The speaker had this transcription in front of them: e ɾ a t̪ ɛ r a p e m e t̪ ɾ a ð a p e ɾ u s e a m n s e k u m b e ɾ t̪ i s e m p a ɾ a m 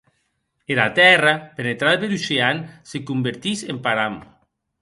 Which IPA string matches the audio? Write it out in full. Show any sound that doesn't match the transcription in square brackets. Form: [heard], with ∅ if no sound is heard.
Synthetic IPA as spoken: e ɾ a t̪ ɛ r a p e [n] e t̪ ɾ a ð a p e ɾ u s e a [∅] n s e k u m b e ɾ t̪ i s e m p a ɾ a m